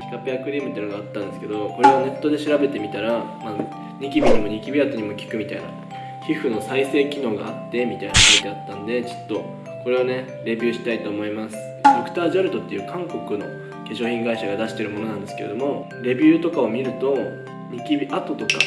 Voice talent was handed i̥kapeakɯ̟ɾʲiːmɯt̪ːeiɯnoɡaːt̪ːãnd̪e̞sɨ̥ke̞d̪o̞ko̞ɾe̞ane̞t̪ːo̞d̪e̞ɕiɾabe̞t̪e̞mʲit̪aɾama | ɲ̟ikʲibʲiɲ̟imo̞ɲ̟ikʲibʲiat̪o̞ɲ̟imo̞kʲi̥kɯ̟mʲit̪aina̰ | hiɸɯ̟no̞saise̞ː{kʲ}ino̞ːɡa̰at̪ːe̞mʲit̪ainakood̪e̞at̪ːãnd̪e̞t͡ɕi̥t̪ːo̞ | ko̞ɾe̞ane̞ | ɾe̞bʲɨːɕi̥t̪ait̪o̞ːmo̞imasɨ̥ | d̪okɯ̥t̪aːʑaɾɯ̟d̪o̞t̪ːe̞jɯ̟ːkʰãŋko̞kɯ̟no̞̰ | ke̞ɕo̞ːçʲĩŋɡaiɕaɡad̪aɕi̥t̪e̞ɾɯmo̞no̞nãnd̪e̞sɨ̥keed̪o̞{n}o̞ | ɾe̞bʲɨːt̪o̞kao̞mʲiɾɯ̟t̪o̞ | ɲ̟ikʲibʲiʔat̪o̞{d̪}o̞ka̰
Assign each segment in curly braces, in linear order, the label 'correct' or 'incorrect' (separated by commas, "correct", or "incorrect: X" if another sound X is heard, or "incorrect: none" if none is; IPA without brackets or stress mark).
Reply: correct, incorrect: m, incorrect: t̪